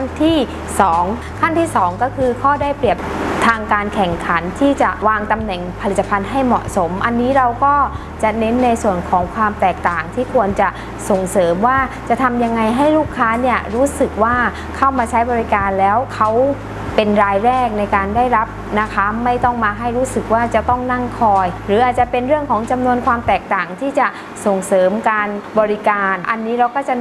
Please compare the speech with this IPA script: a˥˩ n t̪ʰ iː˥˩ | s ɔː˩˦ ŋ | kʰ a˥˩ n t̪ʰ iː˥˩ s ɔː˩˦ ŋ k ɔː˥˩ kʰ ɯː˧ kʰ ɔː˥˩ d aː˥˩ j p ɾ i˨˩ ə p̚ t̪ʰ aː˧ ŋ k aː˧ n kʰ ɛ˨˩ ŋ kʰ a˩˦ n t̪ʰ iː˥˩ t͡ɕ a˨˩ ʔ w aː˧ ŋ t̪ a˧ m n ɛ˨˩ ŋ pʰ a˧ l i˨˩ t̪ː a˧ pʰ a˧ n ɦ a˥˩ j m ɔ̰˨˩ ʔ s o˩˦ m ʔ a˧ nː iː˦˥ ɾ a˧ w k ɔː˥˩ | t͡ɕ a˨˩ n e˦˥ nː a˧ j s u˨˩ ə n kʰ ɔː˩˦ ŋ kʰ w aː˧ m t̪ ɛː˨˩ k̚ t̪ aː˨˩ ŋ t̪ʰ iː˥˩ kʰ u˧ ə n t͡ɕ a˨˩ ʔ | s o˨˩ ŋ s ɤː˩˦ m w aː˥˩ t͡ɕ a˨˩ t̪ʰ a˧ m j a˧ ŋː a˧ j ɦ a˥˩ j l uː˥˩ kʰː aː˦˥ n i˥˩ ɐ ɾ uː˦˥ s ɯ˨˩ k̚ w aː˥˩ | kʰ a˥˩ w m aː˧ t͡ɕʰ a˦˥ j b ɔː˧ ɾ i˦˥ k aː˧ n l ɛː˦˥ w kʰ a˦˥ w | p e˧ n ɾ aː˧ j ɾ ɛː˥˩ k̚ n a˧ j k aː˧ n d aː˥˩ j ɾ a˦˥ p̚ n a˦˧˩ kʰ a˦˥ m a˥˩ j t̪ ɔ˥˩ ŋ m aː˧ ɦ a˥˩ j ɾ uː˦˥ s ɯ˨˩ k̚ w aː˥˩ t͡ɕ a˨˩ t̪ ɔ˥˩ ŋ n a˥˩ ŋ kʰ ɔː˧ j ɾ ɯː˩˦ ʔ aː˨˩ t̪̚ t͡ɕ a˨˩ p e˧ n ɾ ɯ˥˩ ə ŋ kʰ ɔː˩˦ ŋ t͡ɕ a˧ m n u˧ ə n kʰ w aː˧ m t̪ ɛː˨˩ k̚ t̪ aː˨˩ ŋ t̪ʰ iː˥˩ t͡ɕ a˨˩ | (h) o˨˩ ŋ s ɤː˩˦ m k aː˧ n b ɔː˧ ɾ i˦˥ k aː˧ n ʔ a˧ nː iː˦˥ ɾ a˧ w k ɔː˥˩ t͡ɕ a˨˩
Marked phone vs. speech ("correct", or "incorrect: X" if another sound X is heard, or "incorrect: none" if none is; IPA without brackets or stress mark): incorrect: s